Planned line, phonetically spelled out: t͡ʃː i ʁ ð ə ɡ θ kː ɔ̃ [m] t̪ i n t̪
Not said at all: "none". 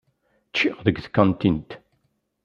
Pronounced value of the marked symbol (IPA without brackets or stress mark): n